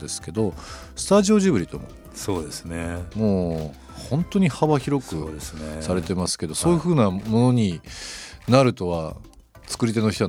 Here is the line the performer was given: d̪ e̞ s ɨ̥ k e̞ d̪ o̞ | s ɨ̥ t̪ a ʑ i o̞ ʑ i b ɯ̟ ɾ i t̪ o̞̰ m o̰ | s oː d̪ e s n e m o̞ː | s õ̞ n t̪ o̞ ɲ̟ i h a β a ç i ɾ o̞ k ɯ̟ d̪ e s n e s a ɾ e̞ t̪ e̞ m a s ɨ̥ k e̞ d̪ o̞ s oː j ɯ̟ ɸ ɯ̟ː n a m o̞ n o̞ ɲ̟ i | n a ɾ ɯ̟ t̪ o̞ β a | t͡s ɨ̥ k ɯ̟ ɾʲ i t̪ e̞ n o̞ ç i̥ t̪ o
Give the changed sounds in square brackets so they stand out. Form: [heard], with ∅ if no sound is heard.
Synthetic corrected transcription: d̪ e̞ s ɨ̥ k e̞ d̪ o̞ | s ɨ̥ t̪ a ʑ i o̞ ʑ i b ɯ̟ ɾ i t̪ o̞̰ m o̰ | s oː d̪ e s n e m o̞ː | [h] õ̞ n t̪ o̞ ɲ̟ i h a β a ç i ɾ o̞ k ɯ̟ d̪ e s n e s a ɾ e̞ t̪ e̞ m a s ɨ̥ k e̞ d̪ o̞ s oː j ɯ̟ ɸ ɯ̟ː n a m o̞ n o̞ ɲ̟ i | n a ɾ ɯ̟ t̪ o̞ β a | t͡s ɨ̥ k ɯ̟ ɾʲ i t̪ e̞ n o̞ ç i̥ t̪ o